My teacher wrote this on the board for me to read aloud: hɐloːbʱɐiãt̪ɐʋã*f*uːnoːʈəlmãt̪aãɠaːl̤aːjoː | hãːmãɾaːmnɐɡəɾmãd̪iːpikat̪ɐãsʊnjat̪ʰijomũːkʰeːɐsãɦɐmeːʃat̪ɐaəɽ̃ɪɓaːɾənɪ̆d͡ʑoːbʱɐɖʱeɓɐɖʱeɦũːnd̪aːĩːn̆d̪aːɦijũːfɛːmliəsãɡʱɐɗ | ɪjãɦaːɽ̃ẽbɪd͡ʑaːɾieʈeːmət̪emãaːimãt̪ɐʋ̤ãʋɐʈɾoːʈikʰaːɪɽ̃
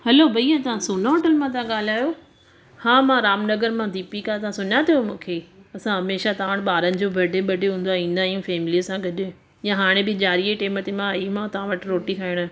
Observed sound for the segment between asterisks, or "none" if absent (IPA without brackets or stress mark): s